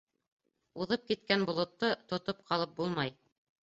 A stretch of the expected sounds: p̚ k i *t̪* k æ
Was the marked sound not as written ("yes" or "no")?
no